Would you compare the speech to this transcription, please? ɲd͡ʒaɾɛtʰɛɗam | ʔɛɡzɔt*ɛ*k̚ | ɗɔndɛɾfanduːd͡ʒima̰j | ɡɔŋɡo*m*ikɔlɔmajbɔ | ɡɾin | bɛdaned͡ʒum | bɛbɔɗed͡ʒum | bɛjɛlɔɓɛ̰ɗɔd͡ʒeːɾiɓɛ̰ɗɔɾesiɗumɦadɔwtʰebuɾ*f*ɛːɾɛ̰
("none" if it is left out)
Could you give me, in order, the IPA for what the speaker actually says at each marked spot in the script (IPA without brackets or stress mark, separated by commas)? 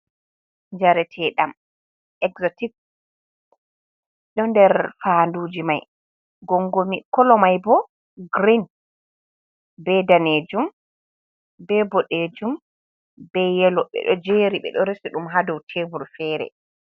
i, m, f